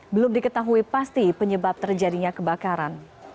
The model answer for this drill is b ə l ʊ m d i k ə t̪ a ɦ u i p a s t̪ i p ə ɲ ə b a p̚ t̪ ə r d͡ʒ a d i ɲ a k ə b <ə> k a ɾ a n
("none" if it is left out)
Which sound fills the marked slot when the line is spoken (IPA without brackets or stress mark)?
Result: a